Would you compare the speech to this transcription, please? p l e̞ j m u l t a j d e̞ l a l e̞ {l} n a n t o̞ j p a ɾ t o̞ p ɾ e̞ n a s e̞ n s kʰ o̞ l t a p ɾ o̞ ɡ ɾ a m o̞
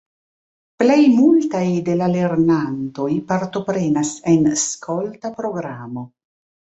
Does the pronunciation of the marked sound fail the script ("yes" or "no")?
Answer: yes